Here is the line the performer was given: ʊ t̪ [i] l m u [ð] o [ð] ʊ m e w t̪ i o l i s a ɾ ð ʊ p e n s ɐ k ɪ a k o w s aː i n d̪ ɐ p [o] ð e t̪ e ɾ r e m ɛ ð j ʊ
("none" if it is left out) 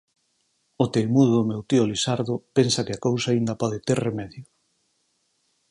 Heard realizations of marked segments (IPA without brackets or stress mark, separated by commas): e, ð, ð, ɔ